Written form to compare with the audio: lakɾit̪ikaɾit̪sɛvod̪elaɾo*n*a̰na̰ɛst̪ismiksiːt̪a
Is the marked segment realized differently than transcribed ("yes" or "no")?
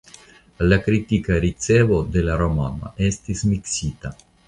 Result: yes